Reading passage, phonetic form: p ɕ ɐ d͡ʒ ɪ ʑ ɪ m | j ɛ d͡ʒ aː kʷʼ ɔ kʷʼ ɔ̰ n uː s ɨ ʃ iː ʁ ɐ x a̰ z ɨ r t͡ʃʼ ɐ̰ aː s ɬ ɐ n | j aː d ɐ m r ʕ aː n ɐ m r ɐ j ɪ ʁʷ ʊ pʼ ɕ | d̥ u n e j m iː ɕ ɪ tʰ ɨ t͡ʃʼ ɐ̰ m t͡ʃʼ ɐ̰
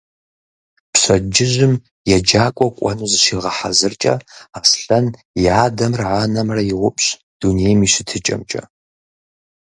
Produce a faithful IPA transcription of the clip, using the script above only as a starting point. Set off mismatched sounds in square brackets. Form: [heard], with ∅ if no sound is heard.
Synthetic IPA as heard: p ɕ ɐ d͡ʒ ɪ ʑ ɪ m | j ɛ d͡ʒ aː kʷʼ ɔ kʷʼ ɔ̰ n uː [z] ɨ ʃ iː ʁ ɐ [ħ] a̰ z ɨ r t͡ʃʼ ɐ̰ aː s ɬ ɐ n | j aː d ɐ m r ʕ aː n ɐ m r ɐ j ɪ ʁʷ ʊ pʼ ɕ | d̥ u n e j m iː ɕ ɪ tʰ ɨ t͡ʃʼ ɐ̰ m t͡ʃʼ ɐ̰